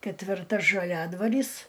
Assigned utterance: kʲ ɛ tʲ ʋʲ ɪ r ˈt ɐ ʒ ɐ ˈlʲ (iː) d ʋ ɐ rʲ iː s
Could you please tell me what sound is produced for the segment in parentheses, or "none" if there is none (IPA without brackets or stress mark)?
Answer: æː